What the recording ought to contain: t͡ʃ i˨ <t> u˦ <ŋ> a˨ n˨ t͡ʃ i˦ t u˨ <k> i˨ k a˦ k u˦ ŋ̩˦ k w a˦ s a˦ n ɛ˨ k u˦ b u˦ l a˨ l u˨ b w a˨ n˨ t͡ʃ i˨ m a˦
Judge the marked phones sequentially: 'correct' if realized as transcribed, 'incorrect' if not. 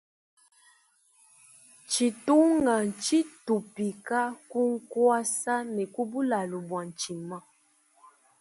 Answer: correct, correct, incorrect

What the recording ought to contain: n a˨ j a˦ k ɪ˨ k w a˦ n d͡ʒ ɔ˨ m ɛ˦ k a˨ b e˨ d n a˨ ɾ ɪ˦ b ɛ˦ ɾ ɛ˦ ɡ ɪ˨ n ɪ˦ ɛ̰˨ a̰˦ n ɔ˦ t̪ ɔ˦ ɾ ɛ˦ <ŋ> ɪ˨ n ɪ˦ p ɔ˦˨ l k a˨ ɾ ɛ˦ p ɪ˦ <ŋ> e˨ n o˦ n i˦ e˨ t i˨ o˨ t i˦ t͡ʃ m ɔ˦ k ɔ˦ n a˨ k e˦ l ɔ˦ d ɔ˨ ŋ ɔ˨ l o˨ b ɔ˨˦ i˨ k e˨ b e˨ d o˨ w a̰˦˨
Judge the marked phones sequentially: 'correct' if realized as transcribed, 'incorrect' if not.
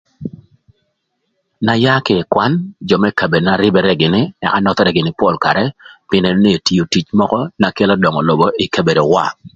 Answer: incorrect, incorrect

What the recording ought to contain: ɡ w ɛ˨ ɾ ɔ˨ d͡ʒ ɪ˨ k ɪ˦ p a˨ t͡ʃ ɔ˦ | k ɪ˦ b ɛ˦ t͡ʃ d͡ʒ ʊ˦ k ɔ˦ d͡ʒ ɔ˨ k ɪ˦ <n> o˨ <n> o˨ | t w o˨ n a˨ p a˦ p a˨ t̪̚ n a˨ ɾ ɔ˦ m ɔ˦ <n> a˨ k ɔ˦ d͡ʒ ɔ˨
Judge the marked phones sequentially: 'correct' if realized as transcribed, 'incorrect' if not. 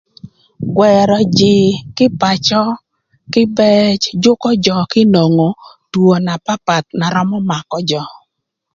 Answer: correct, incorrect, incorrect

